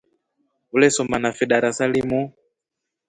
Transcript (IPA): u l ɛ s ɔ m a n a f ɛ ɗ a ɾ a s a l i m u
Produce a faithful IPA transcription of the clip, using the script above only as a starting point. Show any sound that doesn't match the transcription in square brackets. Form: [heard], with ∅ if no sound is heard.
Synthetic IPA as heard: u l ɛ s ɔ m a n a f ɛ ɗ a ɾ a s a l i m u